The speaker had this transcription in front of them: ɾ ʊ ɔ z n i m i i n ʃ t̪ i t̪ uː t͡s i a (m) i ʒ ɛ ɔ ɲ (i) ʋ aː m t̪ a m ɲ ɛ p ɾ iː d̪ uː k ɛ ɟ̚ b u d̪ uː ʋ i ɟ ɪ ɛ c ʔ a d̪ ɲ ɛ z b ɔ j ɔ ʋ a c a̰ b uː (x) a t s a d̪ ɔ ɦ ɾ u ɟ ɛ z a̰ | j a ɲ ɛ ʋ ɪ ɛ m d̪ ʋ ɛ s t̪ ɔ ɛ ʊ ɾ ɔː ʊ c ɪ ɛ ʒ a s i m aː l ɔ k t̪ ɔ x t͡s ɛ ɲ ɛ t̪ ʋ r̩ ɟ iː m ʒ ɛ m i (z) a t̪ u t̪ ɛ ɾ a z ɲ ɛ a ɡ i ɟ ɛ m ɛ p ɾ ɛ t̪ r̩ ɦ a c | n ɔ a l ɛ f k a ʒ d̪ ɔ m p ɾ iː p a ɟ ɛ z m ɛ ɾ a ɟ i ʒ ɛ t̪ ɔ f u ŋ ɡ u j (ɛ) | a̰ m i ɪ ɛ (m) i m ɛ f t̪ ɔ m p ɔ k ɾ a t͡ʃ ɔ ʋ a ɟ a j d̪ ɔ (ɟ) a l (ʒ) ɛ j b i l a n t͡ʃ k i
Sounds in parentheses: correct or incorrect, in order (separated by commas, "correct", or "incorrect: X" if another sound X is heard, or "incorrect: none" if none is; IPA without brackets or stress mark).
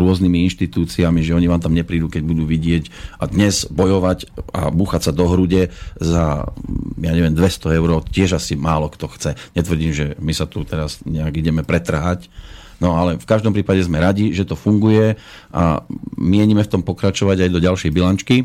correct, correct, correct, incorrect: s, correct, incorrect: ɲ, correct, incorrect: ʃ